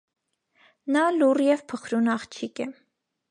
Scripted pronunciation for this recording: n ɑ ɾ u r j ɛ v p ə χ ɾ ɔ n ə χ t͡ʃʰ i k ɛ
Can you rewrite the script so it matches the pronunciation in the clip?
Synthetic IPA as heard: n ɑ l u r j ɛ v pʰ ə χ ɾ u n ɑ χ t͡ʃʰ i k ɛ

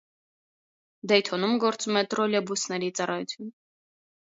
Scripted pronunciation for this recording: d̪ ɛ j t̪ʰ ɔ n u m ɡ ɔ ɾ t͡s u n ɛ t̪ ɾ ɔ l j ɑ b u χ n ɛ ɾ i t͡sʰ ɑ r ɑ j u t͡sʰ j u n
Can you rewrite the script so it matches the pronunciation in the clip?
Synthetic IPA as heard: d̪ ɛ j t̪ʰ ɔ n u m ɡ ɔ ɾ t͡s u m ɛ t̪ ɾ ɔ l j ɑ b u s n ɛ ɾ i t͡s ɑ r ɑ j u t͡sʰ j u n

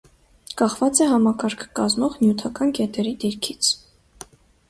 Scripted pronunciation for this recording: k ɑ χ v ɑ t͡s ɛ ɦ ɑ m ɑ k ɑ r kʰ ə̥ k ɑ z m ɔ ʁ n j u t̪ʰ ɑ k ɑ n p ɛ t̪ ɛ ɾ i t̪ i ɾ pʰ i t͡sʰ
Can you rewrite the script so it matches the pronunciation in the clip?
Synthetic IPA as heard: k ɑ χ v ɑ t͡s ɛ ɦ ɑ m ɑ k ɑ ɾ kʰ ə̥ k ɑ z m ɔ ʁ n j u t̪ʰ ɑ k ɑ n k ɛ t̪ ɛ ɾ i d̪ i ɾ kʰ i t͡sʰ

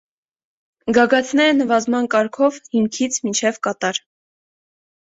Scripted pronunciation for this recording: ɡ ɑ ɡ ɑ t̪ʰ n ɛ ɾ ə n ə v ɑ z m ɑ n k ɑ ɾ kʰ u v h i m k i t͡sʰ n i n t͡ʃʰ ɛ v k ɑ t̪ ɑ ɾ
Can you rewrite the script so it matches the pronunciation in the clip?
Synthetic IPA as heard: ɡ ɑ ɡ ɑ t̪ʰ n ɛ ɾ ə n ə v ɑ z m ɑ n k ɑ ɾ kʰ ɔ v h i m kʰ i t͡sʰ m i n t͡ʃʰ ɛ v k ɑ t̪ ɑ ɾ

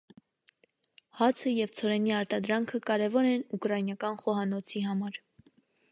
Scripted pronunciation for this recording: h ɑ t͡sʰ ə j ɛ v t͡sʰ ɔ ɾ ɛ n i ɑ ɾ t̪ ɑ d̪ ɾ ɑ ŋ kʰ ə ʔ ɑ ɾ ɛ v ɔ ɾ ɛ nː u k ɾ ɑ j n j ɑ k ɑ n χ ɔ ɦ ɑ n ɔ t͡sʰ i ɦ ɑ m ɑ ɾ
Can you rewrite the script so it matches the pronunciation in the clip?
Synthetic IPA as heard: h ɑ t͡sʰ ə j ɛ v t͡sʰ ɔ ɾ ɛ n i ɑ ɾ t̪ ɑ d̪ ɾ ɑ ŋ kʰ ə k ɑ ɾ ɛ v ɔ ɾ ɛ n u k ɾ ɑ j n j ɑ k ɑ n χ ɔ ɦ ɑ n ɔ t͡sʰ i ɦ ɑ m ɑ ɾ

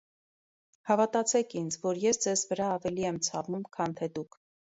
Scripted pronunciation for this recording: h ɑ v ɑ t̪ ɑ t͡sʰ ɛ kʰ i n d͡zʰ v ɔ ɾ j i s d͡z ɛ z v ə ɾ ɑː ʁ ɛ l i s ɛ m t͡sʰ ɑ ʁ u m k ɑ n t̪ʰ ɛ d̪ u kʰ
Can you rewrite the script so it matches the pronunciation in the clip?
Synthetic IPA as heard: h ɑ v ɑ t̪ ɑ t͡sʰ ɛ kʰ i n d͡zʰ v ɔ ɾ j ɛ s d͡z ɛ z v ə ɾ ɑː v ɛ l i ɛ m t͡sʰ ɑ v u m kʰ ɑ n t̪ʰ ɛ d̪ u kʰ

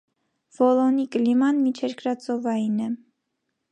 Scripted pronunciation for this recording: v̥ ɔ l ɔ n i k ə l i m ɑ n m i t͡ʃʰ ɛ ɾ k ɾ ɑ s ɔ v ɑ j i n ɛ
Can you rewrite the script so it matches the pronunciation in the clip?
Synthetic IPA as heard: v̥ ɔ l ɔ n i k ə l i m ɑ n m i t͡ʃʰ ɛ ɾ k ɾ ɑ t͡s ɔ v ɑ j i n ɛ

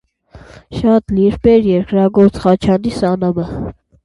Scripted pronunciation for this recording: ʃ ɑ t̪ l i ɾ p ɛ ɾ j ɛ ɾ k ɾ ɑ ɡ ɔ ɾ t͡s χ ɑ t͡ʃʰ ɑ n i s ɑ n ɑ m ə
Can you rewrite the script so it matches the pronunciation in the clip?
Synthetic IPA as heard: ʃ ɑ t̪ l i ɾ p ɛ ɾ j ɛ ɾ k ɾ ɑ ɡ ɔ ɾ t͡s χ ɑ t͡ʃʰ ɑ n i s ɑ n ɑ m ə

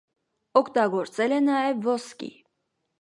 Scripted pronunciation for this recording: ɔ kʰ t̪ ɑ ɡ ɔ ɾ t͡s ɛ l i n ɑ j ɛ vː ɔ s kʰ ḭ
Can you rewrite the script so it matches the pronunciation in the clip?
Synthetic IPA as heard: ɔ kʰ t̪ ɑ ɡ ɔ ɾ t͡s ɛ l ɛ n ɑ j ɛ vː ɔ s k ḭ

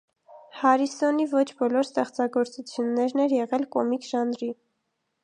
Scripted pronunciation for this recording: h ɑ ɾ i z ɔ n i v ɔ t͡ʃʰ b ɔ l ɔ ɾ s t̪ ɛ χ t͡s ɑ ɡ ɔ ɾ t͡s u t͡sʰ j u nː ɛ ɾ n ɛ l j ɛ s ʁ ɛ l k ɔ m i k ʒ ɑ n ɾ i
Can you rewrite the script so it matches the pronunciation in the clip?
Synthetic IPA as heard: h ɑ ɾ i s ɔ n i v ɔ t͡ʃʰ b ɔ l ɔ ɾ s t̪ ɛ χ t͡s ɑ ɡ ɔ ɾ t͡s u t͡sʰ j u nː ɛ ɾ n ɛ ɾ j ɛ ʁ ɛ l k ɔ m i k ʒ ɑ n ɾ i

